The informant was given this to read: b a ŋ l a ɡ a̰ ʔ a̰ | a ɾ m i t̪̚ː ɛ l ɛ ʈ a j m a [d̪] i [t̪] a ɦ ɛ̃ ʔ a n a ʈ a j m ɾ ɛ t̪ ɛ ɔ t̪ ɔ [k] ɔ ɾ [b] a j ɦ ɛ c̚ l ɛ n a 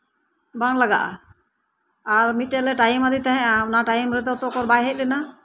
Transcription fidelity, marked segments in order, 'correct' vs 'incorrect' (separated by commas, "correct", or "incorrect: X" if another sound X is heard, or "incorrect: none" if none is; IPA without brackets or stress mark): correct, correct, correct, correct